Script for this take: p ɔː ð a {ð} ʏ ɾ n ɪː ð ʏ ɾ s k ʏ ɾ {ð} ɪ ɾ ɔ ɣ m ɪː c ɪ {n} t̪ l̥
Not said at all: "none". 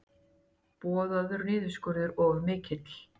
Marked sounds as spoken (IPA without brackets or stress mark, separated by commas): ð, ð, none